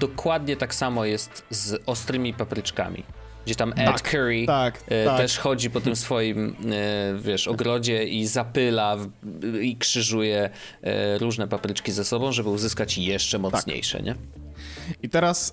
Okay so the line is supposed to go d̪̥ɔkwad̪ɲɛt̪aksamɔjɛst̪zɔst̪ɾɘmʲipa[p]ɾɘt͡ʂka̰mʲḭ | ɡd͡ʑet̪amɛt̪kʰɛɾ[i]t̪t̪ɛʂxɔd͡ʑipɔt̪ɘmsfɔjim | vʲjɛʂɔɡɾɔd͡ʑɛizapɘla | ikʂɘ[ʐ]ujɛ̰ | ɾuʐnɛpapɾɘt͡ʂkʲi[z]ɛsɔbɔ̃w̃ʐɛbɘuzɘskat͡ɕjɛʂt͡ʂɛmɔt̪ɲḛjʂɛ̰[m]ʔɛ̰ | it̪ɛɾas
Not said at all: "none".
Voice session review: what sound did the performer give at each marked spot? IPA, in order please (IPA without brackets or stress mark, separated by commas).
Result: p, i, ʐ, z, ɲ